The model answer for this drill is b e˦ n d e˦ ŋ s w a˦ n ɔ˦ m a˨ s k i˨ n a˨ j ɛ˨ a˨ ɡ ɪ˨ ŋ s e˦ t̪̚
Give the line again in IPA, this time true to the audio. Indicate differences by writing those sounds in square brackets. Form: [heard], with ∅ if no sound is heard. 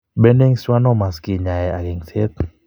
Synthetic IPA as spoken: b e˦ n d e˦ ŋ s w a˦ n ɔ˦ m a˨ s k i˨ [ɲ] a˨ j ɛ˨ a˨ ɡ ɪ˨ ŋ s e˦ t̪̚

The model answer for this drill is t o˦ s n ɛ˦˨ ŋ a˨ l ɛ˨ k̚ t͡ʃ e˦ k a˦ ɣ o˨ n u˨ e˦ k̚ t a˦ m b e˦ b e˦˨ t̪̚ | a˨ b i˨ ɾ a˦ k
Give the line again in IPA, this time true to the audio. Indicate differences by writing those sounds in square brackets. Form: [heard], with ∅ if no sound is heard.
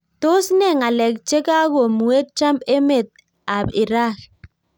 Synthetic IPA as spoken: t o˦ s n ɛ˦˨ ŋ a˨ l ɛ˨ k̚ t͡ʃ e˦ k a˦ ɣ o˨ [m] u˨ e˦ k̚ [t͡ʃ] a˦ m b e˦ [m] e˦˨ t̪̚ | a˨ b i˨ ɾ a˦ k

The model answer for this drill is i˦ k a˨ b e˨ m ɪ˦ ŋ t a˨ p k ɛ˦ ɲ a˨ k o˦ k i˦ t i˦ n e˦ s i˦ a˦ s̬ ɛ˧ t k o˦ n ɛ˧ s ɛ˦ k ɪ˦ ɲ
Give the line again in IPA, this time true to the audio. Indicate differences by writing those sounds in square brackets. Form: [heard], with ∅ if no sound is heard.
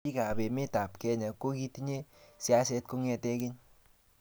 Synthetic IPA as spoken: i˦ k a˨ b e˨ m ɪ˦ [∅] t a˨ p k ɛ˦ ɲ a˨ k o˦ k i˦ t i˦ [ɲ] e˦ s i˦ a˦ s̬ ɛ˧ t k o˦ [ŋ] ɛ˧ [t] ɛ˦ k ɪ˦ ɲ

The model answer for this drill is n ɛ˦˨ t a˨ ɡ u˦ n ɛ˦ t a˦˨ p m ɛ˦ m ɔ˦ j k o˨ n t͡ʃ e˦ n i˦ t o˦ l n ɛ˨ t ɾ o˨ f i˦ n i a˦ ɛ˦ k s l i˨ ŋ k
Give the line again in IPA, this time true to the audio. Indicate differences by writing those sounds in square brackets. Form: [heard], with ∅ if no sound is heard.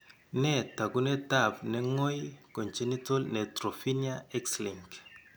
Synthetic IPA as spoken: n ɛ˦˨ t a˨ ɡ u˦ n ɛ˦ t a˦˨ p [n] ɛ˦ [ŋ] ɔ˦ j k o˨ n t͡ʃ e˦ n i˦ t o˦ l n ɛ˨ t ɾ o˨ f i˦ n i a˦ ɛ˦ k s l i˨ ŋ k

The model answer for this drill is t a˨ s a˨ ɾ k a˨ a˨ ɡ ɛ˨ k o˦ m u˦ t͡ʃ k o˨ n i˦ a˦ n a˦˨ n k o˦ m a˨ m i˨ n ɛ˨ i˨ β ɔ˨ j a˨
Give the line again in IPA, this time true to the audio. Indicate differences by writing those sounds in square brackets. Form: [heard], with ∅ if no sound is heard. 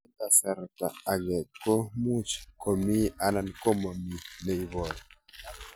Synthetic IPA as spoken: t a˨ s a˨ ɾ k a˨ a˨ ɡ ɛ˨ k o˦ m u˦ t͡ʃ k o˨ [m] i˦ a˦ n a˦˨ n k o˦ m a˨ m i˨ n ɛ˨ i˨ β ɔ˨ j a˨

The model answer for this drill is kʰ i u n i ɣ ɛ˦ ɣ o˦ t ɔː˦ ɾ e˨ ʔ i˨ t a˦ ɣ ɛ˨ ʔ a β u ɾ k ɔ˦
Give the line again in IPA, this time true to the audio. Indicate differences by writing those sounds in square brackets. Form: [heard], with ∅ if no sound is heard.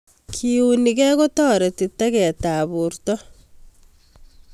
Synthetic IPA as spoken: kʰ i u n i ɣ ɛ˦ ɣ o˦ t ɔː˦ ɾ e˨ [t] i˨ t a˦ ɣ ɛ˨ [t] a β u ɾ [t] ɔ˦

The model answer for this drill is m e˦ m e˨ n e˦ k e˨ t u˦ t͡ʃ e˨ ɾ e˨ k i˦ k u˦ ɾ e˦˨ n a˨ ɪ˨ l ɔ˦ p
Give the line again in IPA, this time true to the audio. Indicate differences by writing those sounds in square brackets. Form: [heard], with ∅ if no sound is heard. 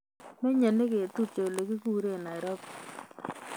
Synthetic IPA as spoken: m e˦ [ɲ] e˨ n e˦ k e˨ t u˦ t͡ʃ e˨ [l] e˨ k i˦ k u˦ ɾ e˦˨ n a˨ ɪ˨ [ɾ] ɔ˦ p

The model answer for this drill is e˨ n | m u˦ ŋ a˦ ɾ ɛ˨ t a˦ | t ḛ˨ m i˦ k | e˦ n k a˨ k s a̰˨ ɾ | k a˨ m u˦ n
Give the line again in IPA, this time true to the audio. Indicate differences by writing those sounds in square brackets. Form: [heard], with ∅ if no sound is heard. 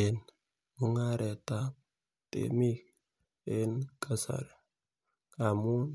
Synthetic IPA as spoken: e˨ n | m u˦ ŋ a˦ ɾ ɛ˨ t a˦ | t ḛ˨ m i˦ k | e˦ n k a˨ [∅] s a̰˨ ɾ | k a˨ m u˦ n

